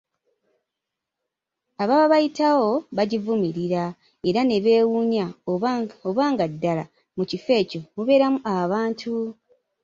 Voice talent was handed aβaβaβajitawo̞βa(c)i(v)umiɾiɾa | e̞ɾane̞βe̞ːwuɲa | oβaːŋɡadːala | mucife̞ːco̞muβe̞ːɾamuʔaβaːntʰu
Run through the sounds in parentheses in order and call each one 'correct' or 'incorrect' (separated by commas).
incorrect, correct